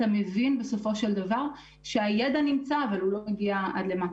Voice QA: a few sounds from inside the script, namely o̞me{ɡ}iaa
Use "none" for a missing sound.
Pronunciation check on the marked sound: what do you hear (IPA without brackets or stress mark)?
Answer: ɡ